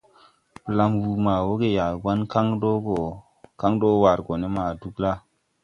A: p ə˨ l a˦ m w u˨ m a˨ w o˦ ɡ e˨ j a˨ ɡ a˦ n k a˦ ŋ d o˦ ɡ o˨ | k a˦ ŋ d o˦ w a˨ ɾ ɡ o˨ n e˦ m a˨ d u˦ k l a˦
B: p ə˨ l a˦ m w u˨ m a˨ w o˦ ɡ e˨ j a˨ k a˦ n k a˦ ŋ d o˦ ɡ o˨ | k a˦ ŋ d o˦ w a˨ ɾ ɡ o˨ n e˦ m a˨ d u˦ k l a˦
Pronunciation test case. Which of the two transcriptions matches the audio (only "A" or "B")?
A